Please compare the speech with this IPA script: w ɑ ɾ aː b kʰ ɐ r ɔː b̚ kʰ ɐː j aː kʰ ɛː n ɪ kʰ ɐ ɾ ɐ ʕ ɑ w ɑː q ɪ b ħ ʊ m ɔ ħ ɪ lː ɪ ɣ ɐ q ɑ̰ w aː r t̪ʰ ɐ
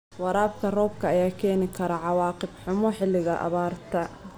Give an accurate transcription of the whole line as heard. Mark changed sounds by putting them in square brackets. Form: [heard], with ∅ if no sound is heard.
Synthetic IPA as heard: w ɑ ɾ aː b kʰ ɐ r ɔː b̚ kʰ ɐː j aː kʰ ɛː n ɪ kʰ ɐ ɾ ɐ ʕ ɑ w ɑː q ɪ b ħ ʊ m ɔ ħ ɪ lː ɪ ɣ ɐ [ʔ] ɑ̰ [β] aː r t̪ʰ ɐ